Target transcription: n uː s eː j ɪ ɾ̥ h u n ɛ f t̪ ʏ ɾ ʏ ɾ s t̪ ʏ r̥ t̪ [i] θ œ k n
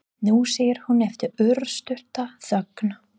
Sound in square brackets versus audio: incorrect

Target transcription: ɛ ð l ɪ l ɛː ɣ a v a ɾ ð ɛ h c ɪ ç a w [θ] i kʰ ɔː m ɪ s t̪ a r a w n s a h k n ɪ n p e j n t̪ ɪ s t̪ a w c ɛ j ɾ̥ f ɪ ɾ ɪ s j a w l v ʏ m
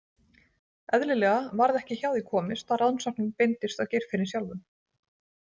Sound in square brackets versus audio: incorrect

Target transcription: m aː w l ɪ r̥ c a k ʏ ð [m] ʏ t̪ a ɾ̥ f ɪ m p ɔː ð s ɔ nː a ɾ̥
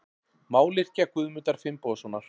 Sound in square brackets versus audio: correct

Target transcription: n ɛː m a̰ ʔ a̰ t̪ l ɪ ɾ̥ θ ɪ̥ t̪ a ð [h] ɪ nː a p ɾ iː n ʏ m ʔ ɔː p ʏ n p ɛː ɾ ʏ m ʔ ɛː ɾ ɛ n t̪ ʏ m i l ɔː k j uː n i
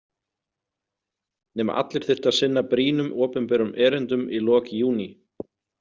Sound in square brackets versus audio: incorrect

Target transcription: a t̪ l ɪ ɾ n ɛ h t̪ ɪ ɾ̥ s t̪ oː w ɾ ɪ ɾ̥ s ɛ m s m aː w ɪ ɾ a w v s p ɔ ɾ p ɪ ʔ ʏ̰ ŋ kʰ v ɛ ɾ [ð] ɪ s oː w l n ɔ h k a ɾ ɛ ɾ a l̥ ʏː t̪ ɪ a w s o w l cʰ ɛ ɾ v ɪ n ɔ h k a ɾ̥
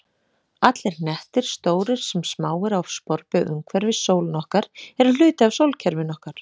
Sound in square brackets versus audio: incorrect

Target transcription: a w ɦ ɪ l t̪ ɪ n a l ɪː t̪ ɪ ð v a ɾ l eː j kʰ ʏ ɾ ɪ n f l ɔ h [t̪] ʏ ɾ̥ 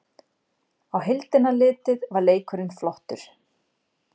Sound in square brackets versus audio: correct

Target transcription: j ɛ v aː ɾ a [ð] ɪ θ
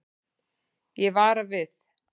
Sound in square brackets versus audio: incorrect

